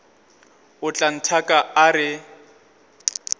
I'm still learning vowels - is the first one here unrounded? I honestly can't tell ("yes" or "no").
no